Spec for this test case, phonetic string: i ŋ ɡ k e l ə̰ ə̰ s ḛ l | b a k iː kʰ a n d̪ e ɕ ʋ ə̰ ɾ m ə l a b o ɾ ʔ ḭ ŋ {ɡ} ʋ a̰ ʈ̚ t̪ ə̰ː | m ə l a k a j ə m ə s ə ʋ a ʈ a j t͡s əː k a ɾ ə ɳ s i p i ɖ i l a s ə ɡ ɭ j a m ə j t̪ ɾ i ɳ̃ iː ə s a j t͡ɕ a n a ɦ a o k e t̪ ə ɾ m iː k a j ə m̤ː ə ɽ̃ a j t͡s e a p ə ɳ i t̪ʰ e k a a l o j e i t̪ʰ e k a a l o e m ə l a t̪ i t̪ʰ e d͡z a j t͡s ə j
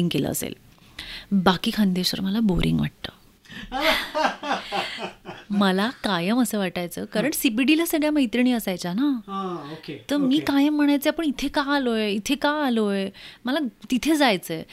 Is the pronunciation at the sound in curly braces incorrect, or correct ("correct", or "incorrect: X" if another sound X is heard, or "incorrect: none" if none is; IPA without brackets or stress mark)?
correct